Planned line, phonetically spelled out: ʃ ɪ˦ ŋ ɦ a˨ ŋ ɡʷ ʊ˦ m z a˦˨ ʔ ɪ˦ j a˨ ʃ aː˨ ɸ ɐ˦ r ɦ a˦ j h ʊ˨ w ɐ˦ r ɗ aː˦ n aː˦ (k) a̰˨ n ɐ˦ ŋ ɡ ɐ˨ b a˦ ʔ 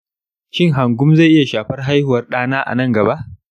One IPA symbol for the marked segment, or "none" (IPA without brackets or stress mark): ʔ